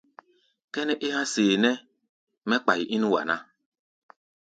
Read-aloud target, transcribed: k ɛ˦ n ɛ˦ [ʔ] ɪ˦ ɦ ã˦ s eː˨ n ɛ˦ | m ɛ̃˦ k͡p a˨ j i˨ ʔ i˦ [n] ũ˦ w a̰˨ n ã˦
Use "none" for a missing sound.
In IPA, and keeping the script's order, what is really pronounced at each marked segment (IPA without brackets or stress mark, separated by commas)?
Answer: ʔ, n